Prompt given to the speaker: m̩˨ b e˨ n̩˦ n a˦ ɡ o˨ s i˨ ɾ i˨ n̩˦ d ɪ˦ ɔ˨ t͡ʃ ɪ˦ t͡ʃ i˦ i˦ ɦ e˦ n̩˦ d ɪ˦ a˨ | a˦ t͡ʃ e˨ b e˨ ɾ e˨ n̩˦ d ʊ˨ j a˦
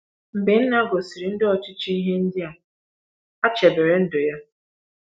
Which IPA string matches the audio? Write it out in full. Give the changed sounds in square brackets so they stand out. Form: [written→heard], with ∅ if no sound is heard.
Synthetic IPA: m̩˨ b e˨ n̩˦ n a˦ ɡ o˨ s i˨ ɾ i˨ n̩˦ d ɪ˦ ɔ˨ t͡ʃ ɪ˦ t͡ʃ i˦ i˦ ɦ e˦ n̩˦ d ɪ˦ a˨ | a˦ t͡ʃ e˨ b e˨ ɾ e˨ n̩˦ d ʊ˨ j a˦